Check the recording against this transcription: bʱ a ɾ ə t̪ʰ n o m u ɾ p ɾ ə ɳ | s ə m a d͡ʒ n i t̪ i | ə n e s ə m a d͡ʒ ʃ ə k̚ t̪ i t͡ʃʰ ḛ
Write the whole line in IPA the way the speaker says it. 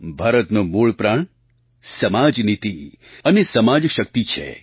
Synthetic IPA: bʱ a ɾ ə t̪ n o m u ɭ p ɾ a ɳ | s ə m a d͡ʒ n i t̪ i | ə n e s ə m a d͡ʒ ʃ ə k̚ t̪ i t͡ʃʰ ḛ